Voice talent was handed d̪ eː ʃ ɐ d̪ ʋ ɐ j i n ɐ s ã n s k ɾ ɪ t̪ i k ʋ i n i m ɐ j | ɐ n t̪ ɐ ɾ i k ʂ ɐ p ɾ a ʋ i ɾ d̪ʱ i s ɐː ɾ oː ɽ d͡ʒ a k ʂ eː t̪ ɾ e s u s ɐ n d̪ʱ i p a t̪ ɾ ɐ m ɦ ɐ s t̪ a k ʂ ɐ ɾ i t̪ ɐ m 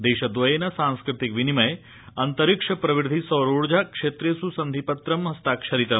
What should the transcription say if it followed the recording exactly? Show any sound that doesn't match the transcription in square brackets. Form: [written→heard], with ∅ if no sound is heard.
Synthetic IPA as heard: d̪ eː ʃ ɐ d̪ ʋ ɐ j [i→e] n ɐ s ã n s k ɾ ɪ t̪ i k ʋ i n i m ɐ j | ɐ n t̪ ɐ ɾ i k ʂ ɐ p ɾ [a→ɐ] ʋ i ɾ d̪ʱ i s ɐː ɾ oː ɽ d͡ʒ a k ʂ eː t̪ ɾ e s u s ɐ n d̪ʱ i p [a→ɐ] t̪ ɾ ɐ m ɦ ɐ s t̪ a k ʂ ɐ ɾ i t̪ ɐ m